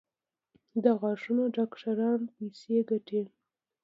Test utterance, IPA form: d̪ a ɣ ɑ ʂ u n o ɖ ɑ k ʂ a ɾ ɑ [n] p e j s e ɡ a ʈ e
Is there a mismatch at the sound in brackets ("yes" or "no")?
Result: no